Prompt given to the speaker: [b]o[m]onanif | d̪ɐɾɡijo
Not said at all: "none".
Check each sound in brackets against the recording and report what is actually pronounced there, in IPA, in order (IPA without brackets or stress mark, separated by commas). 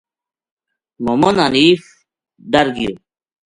m, m